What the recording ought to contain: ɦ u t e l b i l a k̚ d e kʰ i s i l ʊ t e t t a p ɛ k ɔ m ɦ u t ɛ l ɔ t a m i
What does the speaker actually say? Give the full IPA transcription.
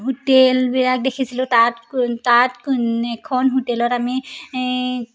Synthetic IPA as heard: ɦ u t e l b i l a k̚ d e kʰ i s i l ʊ t a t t a t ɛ kʰ ɔ n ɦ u t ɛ l ɔ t a m i